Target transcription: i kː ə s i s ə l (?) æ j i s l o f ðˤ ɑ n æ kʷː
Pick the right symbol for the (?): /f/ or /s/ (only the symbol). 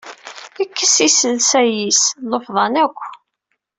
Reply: s